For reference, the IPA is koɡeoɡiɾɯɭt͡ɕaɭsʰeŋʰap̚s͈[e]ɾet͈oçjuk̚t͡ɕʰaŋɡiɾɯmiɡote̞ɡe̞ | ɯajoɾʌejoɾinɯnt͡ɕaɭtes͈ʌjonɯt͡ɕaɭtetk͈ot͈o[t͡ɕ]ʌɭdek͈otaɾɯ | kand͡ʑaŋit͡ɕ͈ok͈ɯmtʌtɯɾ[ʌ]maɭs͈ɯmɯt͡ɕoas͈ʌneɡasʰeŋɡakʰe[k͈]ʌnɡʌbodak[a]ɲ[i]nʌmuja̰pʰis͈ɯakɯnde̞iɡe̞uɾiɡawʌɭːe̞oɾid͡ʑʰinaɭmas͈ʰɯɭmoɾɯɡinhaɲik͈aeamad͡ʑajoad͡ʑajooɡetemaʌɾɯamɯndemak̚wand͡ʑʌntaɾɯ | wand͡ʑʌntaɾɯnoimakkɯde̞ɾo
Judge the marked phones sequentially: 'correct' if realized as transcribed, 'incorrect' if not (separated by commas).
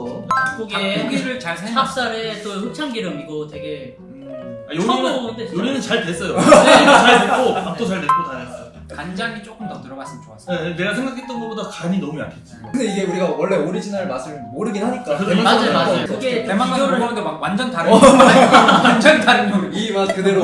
incorrect, correct, correct, incorrect, correct, correct